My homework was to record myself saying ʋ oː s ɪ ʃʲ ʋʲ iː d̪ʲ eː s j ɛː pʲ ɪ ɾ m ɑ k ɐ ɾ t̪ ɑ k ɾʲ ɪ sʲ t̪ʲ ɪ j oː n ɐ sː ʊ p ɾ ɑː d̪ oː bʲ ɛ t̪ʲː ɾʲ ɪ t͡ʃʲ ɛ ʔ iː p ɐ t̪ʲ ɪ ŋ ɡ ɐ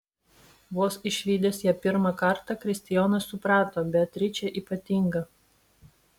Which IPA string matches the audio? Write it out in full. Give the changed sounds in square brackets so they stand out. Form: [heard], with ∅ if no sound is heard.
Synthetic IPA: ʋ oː s ɪ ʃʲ ʋʲ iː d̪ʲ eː s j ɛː pʲ ɪ ɾ m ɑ k ɐ ɾ t̪ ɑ k ɾʲ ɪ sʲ t̪ʲ ɪ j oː n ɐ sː ʊ p ɾ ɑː [t̪] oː bʲ ɛ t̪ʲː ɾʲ ɪ t͡ʃʲ ɛ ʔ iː p ɐ t̪ʲ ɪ ŋ ɡ ɐ